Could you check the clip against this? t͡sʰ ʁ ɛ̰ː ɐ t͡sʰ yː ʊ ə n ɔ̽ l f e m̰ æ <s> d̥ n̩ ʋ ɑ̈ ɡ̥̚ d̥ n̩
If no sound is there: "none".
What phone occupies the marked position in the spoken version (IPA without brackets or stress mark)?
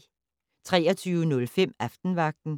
f